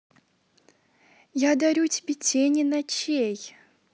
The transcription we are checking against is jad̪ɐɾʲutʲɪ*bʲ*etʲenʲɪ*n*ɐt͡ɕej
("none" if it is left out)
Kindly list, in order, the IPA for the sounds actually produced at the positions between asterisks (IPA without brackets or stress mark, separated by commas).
bʲ, n